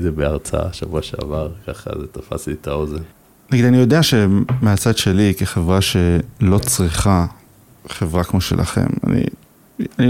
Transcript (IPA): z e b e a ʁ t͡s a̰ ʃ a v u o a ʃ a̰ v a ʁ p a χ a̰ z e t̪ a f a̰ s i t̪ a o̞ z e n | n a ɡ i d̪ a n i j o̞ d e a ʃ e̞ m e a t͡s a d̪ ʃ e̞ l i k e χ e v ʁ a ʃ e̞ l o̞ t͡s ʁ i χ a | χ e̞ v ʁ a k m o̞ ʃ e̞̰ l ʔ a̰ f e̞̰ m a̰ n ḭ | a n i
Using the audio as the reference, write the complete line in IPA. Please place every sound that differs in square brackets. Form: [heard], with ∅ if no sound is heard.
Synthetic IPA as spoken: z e b e a ʁ t͡s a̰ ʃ a v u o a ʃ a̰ v a ʁ [k] a χ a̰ z e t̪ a f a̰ s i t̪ a o̞ z e n | n a ɡ i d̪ a n i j o̞ d e a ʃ e̞ m e a t͡s a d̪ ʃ e̞ l i k e χ e v ʁ a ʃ e̞ l o̞ t͡s ʁ i χ a | χ e̞ v ʁ a k m o̞ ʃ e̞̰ l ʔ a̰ [χ] e̞̰ m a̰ n ḭ | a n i